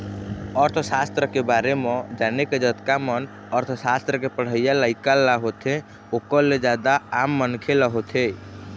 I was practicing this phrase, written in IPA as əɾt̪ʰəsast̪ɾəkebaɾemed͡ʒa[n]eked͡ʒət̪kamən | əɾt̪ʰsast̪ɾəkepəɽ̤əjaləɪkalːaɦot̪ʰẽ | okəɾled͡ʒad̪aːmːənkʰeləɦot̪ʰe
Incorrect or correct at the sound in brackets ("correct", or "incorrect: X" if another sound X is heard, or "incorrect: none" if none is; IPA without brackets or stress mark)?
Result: correct